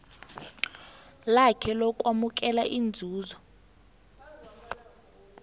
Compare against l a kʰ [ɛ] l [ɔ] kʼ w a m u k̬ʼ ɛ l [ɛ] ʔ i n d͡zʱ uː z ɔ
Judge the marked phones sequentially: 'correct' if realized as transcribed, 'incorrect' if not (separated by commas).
correct, correct, incorrect